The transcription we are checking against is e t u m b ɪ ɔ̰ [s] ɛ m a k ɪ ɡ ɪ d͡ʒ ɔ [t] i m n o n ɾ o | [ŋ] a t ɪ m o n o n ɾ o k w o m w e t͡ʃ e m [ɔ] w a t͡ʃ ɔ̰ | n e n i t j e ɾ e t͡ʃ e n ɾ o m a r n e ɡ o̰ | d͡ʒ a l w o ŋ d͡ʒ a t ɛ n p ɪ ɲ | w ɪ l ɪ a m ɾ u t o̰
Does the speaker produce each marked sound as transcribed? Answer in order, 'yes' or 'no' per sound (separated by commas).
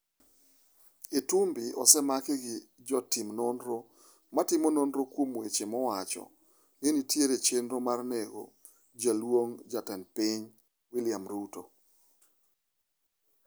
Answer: yes, yes, no, yes